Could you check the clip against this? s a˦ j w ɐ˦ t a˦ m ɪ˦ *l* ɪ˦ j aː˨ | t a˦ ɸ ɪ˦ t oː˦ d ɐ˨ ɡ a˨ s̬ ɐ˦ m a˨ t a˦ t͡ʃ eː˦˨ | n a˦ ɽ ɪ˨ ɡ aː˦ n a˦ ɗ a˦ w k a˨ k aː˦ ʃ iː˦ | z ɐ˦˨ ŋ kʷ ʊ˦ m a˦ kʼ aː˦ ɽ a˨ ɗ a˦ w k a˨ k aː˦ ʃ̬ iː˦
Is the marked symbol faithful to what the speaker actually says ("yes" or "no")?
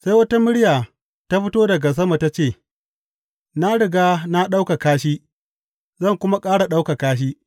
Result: no